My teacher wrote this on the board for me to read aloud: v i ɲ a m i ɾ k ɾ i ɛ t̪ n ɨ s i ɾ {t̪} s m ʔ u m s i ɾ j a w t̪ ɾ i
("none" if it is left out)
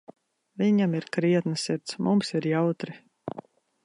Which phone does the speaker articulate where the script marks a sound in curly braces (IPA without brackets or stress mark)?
t̪